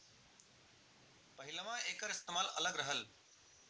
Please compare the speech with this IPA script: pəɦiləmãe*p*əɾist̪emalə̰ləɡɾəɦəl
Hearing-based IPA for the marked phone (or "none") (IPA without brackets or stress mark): k